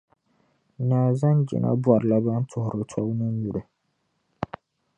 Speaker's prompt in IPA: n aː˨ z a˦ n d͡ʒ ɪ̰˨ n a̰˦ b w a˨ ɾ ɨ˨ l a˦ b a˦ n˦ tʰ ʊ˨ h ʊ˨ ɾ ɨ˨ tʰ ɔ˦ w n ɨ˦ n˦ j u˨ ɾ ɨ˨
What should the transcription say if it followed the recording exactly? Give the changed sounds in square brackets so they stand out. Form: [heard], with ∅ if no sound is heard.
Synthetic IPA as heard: n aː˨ z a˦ n d͡ʒ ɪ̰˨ n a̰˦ b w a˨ ɾ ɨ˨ l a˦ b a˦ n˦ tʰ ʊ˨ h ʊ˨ ɾ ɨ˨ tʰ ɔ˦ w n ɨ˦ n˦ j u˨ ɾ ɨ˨